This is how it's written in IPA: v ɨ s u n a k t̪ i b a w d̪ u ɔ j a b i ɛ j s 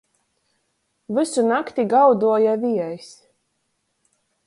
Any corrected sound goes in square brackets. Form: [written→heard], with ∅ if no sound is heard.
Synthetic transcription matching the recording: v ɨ s u n a k t̪ i [b→ɡ] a w d̪ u ɔ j a [b→v] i ɛ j s